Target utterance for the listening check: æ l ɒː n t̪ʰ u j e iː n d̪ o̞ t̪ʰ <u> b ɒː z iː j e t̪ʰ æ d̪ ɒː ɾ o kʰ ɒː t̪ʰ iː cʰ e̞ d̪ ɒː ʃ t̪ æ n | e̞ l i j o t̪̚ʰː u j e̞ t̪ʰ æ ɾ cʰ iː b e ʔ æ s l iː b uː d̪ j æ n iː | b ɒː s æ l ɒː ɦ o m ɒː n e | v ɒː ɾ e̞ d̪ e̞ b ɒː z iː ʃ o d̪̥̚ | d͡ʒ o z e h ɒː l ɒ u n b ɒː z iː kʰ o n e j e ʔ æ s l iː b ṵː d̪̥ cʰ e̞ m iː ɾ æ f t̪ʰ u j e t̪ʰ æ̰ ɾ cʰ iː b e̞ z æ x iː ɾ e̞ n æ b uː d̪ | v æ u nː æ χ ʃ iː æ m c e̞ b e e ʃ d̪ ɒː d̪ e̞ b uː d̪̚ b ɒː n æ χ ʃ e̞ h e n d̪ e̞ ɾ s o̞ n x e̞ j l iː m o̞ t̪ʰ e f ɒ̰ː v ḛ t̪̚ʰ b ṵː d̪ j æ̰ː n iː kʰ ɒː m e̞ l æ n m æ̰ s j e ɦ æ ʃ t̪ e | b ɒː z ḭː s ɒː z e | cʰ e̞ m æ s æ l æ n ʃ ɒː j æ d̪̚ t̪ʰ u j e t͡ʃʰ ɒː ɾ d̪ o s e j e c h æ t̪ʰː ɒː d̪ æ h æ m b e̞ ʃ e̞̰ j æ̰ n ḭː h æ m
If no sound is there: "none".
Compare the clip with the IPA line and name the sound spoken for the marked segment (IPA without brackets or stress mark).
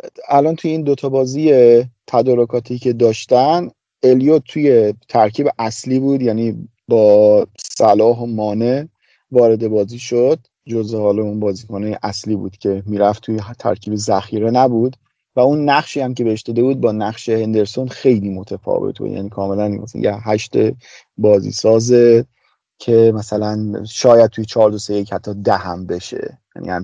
ɒ